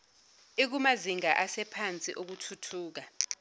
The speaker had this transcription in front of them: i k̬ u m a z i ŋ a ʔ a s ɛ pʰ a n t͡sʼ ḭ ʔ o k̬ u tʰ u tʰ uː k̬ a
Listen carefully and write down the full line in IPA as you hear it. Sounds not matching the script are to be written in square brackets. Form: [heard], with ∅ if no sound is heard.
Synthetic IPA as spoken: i k̬ u m a z i ŋ a ʔ a s ɛ pʰ a n t͡sʼ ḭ ʔ o k̬ u tʰ u tʰ uː k̬ a